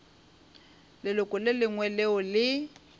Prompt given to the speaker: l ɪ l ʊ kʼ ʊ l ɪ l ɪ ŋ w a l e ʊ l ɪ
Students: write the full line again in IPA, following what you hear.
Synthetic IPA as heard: l ɪ l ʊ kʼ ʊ l ɪ l ɪ ŋ w ɛ l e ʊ l ɪ

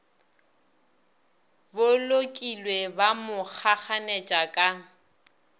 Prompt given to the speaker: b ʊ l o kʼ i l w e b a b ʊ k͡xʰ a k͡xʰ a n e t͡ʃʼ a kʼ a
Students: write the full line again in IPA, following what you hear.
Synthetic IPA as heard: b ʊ l o kʼ i l w e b a m ʊ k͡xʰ a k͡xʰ a n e t͡ʃʼ a kʼ a

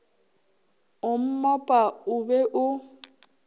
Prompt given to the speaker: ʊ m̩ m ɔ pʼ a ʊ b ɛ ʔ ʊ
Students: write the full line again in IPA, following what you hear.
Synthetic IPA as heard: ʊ m̩ m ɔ pʼ a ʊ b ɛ ʔ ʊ

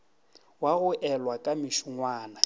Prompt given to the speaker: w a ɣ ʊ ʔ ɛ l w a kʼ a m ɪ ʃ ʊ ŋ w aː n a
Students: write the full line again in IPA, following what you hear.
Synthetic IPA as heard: w a ɣ ʊ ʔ ɛ l w a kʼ a m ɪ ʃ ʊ ŋ w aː n a

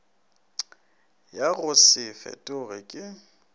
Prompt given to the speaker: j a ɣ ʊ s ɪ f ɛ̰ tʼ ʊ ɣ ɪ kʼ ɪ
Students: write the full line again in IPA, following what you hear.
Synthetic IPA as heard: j a ɣ ʊ s ɪ f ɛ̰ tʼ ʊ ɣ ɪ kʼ ɪ

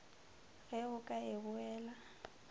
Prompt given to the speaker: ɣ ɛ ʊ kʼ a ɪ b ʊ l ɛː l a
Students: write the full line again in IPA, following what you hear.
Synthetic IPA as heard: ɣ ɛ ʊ kʼ a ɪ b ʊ ɛː l a

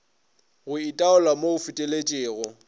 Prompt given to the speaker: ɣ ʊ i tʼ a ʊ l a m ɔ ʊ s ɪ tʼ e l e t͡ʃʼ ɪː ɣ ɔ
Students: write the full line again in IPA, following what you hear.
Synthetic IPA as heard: ɣ ʊ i tʼ a ʊ l a m o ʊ f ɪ tʼ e l e t͡ʃʼ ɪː ɣ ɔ

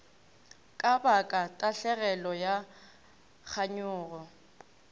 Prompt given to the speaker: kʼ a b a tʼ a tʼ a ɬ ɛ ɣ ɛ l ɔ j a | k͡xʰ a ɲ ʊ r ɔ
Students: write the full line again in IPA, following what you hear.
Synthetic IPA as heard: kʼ a b a kʼ a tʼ a ɬ ɛ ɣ ɛ l ɔ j a | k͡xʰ a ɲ ʊː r ɔ

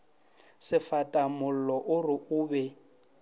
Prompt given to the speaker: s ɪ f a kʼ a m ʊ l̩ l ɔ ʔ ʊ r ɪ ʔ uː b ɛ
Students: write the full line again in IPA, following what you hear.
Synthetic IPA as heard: s ɪ f a tʼ a m ʊ l̩ l ɔ ʔ ʊ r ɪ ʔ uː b ɛ

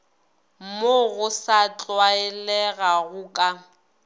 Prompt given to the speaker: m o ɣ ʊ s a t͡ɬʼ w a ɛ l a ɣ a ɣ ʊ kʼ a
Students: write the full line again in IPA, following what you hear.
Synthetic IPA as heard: m o ɣ ʊ s a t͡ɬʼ w a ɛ l ɛ ɣ a ɣ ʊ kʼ a

